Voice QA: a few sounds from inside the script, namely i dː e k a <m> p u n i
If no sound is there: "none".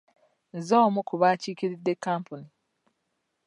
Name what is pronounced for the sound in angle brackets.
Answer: m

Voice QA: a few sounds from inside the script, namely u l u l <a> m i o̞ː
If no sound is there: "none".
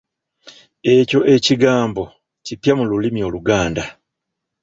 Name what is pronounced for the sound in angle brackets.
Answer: i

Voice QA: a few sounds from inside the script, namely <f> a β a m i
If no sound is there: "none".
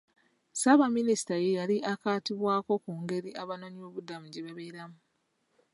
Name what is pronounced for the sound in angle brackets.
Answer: s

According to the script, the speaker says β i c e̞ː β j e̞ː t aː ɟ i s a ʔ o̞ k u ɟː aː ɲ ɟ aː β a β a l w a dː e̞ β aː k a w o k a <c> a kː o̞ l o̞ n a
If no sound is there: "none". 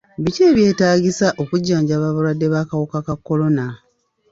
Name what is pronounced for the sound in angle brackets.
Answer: k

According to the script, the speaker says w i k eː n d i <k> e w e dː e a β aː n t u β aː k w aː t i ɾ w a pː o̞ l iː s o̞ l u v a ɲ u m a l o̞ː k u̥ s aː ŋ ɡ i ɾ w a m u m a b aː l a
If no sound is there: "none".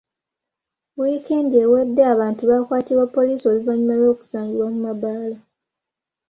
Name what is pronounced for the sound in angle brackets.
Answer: none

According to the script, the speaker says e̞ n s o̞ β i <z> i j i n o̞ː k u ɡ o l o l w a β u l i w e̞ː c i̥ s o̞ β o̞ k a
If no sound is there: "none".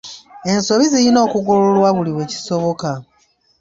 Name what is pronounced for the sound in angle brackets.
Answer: z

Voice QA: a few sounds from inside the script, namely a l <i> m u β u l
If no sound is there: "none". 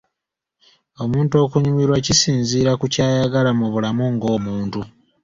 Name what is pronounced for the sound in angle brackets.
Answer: a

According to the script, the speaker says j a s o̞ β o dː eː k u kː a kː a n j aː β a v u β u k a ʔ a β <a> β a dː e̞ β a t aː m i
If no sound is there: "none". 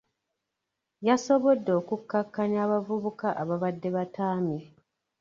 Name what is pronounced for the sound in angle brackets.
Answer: a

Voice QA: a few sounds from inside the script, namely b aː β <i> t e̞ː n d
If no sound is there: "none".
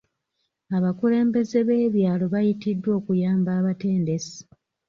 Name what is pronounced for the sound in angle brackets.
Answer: a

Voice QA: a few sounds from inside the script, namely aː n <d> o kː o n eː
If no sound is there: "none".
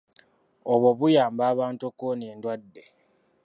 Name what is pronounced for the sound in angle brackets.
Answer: t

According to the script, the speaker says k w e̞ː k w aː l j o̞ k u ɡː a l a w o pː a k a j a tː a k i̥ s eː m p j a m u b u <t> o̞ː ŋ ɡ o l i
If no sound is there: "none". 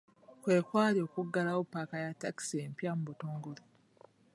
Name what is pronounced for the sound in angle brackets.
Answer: t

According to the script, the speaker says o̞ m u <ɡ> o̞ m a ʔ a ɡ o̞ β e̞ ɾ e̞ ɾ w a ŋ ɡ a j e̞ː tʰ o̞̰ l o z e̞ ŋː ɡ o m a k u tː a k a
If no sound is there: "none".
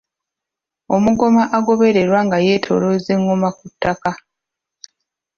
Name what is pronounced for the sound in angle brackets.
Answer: ɡ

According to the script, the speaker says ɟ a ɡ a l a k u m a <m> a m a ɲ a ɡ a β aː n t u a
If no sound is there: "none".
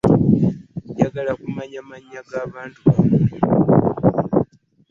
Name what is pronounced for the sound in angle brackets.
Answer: ɲ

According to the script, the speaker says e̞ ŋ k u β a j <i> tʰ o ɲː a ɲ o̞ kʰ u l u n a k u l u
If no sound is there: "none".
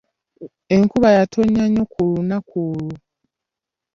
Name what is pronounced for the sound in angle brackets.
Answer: a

